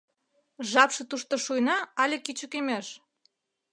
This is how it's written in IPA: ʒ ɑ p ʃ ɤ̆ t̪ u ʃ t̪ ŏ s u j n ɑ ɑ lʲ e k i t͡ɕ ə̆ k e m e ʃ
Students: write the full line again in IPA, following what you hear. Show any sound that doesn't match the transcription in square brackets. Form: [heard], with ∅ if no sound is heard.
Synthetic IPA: ʒ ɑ p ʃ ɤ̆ t̪ u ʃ t̪ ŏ [ʃ] u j n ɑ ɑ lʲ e k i t͡ɕ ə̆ k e m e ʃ